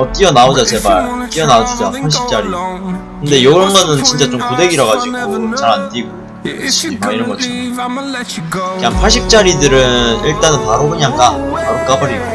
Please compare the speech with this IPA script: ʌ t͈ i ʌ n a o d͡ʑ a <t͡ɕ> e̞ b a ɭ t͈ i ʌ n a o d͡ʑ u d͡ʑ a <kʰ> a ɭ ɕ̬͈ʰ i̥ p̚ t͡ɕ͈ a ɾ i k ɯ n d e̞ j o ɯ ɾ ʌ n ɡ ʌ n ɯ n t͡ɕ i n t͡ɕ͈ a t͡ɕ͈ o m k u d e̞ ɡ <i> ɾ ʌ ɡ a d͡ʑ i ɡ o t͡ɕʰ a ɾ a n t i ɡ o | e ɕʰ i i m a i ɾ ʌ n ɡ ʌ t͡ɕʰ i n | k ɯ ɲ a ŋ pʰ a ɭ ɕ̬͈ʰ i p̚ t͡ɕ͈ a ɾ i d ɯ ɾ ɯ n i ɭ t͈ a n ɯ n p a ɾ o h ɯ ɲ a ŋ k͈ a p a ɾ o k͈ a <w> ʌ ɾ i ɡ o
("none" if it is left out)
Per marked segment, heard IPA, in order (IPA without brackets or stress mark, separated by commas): t͡ɕ, pʰ, i, b